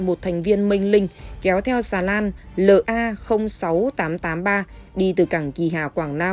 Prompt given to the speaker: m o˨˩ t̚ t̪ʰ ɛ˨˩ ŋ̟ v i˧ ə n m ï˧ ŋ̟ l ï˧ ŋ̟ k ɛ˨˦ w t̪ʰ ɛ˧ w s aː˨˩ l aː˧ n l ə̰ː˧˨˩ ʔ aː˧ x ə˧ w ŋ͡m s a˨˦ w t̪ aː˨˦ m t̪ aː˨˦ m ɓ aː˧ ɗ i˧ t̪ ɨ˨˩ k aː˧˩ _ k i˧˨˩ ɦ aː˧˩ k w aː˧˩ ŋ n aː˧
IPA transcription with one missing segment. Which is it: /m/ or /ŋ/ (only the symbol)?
ŋ